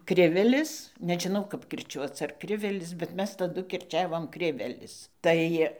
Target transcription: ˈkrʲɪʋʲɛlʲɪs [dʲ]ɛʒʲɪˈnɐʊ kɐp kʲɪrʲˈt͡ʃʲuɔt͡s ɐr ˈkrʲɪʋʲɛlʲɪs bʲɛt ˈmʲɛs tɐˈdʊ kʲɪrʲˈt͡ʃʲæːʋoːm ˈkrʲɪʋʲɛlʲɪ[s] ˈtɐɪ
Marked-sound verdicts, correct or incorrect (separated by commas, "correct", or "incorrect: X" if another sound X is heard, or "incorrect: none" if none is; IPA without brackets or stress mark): incorrect: nʲ, correct